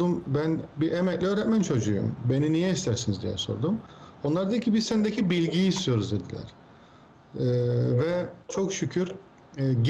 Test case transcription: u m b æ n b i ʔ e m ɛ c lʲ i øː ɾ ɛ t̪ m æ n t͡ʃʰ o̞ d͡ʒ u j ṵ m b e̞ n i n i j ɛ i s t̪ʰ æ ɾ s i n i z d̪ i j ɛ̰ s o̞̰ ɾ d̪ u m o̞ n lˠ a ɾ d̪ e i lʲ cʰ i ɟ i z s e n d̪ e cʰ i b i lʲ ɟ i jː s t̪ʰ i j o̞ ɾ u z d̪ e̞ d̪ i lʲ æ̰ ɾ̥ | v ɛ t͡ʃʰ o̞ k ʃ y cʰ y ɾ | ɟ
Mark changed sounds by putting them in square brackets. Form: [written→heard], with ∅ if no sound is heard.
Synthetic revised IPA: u m b æ n b i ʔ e m ɛ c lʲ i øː ɾ ɛ t̪ m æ n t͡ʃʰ o̞ d͡ʒ u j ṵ m b e̞ n i n i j ɛ i s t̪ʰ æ ɾ s i n i z d̪ i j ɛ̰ s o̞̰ ɾ d̪ u m o̞ n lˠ a ɾ d̪ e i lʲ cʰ i [ɟ→b] i z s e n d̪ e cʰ i b i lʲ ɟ i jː s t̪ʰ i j o̞ ɾ u z d̪ e̞ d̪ i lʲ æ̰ ɾ̥ | v ɛ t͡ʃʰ o̞ k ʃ y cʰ y ɾ | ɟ